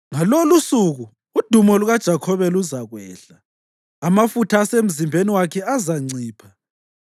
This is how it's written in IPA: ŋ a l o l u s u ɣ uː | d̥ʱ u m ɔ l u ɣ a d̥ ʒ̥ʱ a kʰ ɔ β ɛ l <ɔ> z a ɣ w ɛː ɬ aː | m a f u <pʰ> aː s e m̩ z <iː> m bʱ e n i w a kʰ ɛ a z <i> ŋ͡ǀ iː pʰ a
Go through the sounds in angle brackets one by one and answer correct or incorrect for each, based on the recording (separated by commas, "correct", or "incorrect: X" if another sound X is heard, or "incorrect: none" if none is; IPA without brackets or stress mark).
incorrect: u, incorrect: tʰ, incorrect: i, incorrect: a